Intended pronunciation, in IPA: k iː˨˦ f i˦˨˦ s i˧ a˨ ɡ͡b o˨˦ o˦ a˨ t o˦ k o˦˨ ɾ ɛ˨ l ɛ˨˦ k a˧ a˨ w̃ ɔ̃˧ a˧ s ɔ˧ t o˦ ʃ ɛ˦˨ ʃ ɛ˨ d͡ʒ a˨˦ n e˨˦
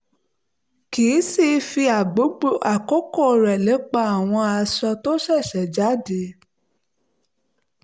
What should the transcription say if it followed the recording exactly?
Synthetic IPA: k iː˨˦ s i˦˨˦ f i˧ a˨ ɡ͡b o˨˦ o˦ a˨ k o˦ k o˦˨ ɾ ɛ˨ l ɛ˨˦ k͡p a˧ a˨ w̃ ɔ̃˧ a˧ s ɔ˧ t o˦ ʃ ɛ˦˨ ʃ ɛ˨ d͡ʒ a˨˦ d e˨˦